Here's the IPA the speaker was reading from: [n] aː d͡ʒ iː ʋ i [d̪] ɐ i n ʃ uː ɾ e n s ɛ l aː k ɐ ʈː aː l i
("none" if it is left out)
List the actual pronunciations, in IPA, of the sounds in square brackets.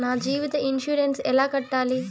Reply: n, t̪

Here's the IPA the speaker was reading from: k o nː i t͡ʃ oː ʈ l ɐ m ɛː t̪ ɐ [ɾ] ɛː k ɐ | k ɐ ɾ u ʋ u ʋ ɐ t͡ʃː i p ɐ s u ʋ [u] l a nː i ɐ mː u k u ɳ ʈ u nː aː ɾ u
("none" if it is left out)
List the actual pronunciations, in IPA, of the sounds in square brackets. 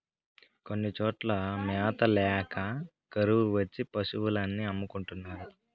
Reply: l, u

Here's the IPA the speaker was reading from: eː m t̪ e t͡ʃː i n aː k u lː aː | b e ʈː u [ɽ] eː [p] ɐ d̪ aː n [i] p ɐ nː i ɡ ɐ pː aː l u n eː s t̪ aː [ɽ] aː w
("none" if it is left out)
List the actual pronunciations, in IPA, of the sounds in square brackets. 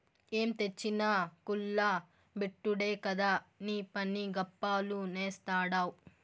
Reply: ɽ, k, iː, ɽ

